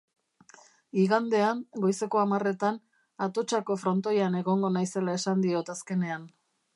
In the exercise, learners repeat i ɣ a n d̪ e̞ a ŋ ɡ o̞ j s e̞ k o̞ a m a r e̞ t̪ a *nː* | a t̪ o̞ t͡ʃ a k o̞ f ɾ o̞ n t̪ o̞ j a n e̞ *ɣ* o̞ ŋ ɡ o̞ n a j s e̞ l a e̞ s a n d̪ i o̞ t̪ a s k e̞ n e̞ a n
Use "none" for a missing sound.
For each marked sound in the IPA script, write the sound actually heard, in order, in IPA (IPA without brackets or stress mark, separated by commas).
n, ɣ